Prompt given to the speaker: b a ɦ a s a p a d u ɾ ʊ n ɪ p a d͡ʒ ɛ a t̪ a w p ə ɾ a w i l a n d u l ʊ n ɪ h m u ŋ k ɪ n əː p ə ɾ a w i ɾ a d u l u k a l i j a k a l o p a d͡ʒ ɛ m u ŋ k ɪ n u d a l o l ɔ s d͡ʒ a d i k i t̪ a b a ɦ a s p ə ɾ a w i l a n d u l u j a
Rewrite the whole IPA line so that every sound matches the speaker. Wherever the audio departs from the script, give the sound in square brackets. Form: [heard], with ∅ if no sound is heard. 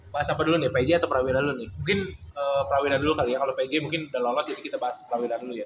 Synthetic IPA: b a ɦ a s a p a d u [l] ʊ n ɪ p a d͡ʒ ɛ a t̪ a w p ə ɾ a w i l a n d u l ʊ n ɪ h m u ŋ k ɪ n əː p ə ɾ a w i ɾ a d u l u k a l i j a k a l o p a d͡ʒ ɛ m u ŋ k ɪ n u d a l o l ɔ s d͡ʒ a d i k i t̪ a b a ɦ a s p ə ɾ a w i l a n d u l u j a